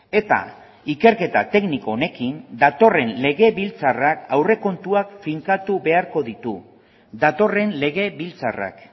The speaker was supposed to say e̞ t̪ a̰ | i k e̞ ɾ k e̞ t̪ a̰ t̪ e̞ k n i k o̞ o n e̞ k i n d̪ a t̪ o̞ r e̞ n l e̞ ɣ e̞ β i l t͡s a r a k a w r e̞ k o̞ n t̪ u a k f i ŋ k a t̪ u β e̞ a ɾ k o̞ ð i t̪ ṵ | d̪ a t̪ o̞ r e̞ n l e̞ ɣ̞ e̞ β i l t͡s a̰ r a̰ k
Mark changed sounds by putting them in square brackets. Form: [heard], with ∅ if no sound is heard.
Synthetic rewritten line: e̞ t̪ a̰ | i k e̞ ɾ k e̞ t̪ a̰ t̪ e̞ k n i k o̞ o n e̞ k i n d̪ a t̪ o̞ r e̞ n l e̞ ɣ e̞ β i l t͡s a r a k a w r e̞ k o̞ n t̪ u a k f i ŋ k a t̪ u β e̞ a ɾ k o̞ ð i t̪ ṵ | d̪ a t̪ o̞ r e̞ n l e̞ ɣ̞ e̞ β i l t͡s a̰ r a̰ k